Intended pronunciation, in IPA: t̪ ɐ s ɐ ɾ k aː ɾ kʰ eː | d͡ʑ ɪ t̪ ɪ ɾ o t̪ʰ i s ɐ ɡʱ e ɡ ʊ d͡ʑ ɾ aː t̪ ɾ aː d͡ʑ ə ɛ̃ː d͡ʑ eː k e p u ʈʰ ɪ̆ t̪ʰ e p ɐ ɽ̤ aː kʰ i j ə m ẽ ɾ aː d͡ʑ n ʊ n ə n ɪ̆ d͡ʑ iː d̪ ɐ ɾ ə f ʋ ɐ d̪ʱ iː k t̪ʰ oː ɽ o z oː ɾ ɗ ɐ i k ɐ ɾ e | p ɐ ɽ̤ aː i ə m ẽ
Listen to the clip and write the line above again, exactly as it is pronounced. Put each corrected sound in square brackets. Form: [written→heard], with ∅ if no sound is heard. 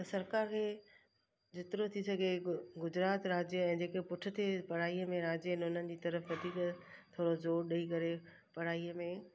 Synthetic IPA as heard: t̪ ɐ s ɐ ɾ k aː ɾ kʰ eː | d͡ʑ ɪ t̪ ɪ ɾ o t̪ʰ i s ɐ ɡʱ e ɡ ʊ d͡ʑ ɾ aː t̪ ɾ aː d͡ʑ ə ɛ̃ː d͡ʑ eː k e p [u→ʊ] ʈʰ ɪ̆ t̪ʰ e p ɐ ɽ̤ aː [kʰ→∅] i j ə m ẽ ɾ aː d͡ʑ n ʊ n ə n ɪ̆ d͡ʑ iː [d̪→t̪] ɐ ɾ ə f ʋ ɐ d̪ʱ iː k t̪ʰ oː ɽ o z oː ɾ ɗ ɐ i k ɐ ɾ e | p ɐ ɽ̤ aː i ə m ẽ